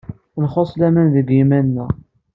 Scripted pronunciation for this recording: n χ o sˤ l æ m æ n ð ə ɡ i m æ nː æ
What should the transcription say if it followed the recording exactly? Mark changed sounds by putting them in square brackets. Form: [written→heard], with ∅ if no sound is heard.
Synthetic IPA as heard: n χ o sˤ l æ m æ n ð ə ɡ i m æ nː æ